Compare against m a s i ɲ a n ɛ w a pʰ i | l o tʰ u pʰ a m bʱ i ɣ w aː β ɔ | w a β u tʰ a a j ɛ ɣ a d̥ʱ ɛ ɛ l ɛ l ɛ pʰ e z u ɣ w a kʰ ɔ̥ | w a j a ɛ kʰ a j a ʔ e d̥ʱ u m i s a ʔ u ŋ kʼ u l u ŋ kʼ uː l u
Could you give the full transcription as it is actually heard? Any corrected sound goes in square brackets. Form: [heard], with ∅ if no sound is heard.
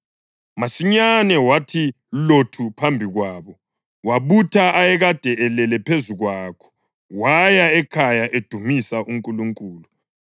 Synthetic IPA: m a s i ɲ a n ɛ w a [tʰ] i | l o tʰ u pʰ a m bʱ i ɣ w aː β ɔ | w a β u tʰ a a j ɛ ɣ a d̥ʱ ɛ ɛ l ɛ l ɛ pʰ e z u ɣ w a kʰ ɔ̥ | w a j a ɛ kʰ a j a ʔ e d̥ʱ u m i s a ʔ u ŋ kʼ u l u ŋ kʼ uː l u